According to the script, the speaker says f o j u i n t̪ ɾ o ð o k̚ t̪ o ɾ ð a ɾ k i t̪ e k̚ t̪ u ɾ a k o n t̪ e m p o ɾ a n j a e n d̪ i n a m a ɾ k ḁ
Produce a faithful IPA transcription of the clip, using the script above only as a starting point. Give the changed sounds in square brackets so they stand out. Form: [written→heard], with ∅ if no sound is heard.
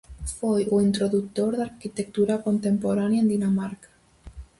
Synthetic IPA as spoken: f o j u i n t̪ ɾ o ð [o→u] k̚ t̪ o ɾ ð a ɾ k i t̪ e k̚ t̪ u ɾ a k o n t̪ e m p o ɾ a n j a e n d̪ i n a m a ɾ k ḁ